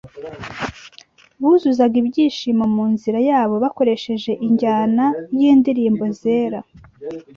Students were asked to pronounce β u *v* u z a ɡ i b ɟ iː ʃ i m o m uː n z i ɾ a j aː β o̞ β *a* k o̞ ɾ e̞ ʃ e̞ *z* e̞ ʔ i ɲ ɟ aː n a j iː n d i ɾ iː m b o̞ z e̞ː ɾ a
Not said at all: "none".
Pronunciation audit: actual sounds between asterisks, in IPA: z, a, ʒ

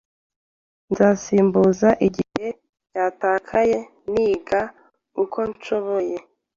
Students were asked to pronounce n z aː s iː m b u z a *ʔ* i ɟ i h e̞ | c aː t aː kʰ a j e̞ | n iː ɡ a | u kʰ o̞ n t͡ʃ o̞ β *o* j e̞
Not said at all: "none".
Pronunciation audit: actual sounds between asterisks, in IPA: ʔ, o

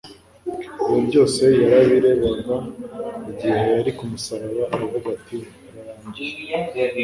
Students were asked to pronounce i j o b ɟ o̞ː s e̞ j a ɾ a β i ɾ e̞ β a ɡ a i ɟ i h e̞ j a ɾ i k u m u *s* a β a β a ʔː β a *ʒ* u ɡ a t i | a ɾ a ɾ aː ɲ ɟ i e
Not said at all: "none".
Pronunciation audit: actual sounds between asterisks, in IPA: s, v

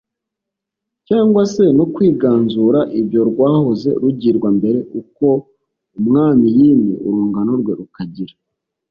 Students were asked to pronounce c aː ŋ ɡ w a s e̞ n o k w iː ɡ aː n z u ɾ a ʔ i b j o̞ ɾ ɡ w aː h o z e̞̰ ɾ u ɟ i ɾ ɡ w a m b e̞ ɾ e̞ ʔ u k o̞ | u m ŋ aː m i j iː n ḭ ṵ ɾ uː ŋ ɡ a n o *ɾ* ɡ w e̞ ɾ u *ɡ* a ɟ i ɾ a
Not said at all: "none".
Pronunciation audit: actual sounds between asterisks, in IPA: ɾ, k

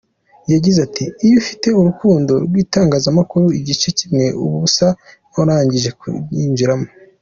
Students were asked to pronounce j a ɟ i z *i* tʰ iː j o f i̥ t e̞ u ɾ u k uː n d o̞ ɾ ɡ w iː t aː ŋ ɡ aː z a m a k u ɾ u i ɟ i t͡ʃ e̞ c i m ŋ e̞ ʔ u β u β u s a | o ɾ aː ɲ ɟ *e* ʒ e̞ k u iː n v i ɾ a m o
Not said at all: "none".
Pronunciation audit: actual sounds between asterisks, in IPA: a, i

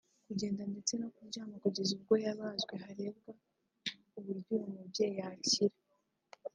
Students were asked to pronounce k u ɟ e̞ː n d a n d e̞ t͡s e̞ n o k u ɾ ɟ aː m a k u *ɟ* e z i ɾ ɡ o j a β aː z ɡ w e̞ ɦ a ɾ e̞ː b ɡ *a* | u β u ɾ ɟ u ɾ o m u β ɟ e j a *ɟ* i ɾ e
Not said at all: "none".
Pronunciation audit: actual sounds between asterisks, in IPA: ɟ, a, c

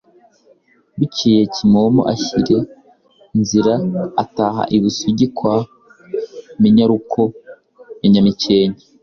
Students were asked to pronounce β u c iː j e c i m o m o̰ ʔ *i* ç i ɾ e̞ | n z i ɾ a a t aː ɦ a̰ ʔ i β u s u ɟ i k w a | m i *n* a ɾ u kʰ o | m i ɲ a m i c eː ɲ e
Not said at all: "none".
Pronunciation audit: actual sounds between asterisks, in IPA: a, ɲ

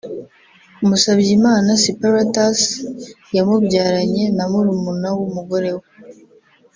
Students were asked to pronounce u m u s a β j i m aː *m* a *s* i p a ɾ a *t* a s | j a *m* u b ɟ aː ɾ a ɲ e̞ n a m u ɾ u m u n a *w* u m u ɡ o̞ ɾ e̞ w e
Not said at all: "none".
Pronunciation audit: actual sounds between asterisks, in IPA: n, s, t, m, w

